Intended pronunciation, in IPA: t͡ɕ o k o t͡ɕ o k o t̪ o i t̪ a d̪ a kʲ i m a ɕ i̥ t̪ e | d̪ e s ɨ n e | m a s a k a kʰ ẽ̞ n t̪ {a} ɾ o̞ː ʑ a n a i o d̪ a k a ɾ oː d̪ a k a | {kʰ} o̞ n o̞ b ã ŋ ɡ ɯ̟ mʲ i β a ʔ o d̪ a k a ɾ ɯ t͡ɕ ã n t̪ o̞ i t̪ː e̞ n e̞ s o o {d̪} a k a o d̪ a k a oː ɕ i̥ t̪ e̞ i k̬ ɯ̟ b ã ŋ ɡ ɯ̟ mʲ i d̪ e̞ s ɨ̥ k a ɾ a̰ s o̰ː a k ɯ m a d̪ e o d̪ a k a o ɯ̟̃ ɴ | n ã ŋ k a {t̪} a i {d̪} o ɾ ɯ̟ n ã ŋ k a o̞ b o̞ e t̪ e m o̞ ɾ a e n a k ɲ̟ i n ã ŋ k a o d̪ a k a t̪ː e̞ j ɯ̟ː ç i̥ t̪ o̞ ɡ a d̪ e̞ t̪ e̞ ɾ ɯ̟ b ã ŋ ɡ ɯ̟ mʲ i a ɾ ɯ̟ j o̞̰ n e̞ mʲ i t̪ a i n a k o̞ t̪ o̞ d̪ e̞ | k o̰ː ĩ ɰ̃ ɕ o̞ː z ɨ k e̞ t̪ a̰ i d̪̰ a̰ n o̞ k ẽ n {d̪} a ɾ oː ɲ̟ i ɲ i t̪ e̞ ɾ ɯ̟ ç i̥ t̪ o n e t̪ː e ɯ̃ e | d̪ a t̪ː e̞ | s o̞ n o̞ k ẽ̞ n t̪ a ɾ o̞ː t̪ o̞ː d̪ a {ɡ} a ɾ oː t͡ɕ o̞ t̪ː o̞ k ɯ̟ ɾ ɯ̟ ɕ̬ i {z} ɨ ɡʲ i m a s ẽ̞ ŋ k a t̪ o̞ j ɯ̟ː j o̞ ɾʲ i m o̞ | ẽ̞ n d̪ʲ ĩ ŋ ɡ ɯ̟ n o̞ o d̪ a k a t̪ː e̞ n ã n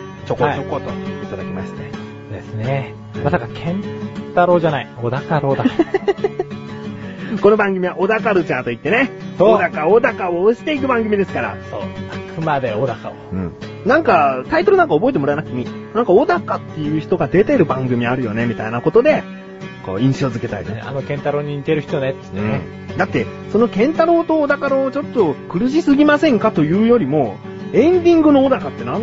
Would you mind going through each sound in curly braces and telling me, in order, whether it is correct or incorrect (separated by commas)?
correct, incorrect, correct, correct, incorrect, incorrect, incorrect, incorrect